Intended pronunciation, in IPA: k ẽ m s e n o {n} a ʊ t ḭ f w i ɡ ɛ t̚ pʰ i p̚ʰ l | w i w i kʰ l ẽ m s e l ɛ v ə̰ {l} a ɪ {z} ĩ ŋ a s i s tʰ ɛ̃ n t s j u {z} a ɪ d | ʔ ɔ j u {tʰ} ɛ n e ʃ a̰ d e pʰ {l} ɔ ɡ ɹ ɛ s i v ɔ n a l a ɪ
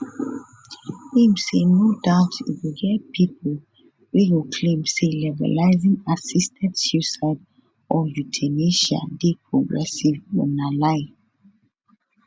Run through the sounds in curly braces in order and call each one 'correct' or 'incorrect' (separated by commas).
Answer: incorrect, correct, correct, incorrect, correct, incorrect